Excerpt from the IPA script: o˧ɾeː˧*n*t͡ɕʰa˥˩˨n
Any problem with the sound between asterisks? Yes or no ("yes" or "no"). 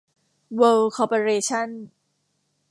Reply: yes